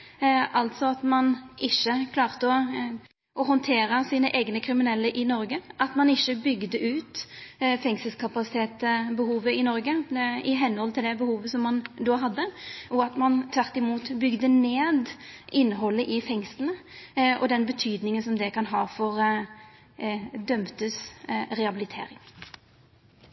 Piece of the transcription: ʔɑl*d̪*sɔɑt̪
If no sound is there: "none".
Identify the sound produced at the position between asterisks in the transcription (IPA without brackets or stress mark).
t̪